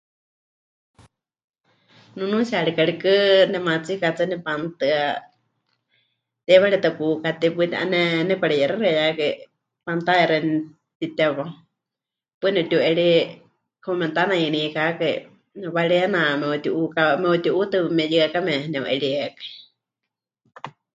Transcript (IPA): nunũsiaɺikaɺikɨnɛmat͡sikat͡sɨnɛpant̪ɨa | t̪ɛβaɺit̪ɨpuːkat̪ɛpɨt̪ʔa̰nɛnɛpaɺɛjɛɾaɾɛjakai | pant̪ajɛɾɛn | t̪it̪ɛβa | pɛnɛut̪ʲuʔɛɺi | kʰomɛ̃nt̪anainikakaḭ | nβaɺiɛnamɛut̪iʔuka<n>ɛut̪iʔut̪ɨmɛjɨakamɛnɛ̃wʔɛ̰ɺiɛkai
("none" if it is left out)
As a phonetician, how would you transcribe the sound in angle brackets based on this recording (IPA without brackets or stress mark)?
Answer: m